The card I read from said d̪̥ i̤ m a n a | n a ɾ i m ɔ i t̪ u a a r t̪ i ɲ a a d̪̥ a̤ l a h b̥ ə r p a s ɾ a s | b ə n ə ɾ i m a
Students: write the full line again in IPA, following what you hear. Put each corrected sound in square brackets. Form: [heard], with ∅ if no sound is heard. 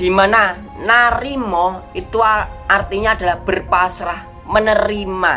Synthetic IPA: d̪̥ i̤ m a n a | n a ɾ i m ɔ i t̪ u a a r t̪ i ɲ a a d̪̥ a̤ l a h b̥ ə r p a s ɾ a [h] | [m] ə n ə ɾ i m a